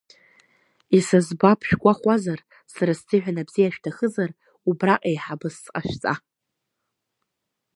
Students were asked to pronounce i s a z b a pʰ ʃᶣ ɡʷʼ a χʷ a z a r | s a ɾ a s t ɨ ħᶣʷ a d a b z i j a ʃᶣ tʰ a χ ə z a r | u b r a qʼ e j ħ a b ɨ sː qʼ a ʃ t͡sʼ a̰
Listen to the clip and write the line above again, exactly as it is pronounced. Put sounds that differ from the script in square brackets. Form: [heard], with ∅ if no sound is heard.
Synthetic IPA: i s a z b a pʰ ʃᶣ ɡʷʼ a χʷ a z a r | s a ɾ a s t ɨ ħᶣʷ a [n] a b z i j a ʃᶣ tʰ a χ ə z a r | u b r a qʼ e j ħ a b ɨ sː qʼ a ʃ t͡sʼ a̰